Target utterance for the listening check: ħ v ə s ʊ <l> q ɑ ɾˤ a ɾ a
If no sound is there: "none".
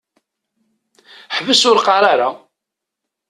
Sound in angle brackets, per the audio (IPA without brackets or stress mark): ɾ